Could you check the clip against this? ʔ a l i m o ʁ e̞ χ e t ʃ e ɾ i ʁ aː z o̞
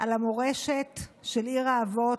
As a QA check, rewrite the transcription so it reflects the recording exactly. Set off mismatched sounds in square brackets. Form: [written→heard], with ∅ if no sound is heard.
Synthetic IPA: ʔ a l [i→a] m o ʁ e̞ [χ→ʃ] e t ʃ e [ɾ→l] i ʁ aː [z→v] o̞